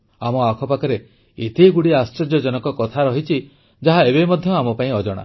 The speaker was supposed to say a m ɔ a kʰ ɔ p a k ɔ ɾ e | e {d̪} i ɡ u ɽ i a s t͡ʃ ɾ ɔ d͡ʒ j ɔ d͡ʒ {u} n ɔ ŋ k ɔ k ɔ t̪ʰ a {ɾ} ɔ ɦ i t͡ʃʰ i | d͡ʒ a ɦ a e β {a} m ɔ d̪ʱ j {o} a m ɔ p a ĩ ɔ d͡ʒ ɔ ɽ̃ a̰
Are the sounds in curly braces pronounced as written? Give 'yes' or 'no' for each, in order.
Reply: no, no, yes, no, no

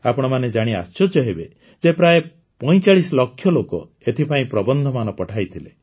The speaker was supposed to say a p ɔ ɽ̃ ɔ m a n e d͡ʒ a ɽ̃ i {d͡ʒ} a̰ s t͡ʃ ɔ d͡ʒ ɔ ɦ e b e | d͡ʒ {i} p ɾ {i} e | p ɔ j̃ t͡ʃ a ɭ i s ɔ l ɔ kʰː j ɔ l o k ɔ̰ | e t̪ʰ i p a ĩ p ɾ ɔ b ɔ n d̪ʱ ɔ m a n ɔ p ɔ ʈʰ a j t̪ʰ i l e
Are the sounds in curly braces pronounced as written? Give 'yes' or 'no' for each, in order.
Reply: no, no, no

